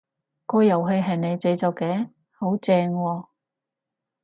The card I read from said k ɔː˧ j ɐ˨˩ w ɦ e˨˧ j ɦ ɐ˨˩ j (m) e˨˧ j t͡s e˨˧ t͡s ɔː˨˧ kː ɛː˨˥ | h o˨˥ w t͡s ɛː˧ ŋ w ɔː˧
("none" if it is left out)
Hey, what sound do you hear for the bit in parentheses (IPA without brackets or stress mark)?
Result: n